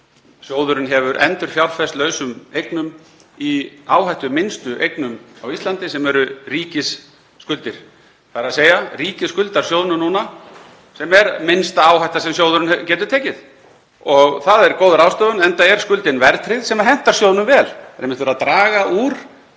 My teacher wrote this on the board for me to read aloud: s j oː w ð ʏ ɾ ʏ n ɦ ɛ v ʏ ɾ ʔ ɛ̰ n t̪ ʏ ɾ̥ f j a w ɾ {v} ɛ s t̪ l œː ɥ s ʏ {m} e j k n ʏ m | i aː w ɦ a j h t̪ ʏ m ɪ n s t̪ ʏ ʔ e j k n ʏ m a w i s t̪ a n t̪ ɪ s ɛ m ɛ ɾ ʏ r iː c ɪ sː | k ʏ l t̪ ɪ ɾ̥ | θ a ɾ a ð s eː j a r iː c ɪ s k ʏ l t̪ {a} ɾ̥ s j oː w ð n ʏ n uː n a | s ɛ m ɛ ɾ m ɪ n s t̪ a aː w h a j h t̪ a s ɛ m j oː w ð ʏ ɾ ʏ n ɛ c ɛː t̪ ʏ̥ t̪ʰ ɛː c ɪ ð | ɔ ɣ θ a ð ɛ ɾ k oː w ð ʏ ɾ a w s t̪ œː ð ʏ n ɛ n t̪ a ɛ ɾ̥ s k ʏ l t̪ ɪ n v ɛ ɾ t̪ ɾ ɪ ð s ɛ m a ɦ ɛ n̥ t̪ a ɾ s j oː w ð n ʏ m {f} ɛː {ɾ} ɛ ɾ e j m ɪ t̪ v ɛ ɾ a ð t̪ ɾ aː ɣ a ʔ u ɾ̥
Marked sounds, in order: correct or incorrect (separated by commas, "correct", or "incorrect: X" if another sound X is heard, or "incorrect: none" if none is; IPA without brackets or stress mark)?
incorrect: f, correct, correct, incorrect: v, incorrect: l